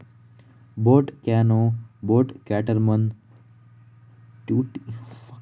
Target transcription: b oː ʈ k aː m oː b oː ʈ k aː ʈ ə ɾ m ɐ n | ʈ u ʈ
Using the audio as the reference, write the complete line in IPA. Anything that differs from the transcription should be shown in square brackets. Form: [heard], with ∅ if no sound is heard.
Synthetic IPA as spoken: b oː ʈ k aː [n] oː b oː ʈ k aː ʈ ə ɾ m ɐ n | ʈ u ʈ